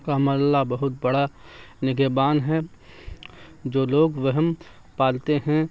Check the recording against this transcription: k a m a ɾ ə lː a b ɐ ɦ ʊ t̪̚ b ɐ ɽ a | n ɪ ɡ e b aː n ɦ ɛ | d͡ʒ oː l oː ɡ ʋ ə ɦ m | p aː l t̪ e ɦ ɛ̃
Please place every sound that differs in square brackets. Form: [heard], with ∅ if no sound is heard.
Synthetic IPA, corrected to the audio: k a m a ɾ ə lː a b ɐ ɦ ʊ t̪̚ b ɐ ɽ a | n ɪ ɡ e b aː n ɦ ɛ | d͡ʒ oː l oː ɡ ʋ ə ɦ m | p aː l t̪ e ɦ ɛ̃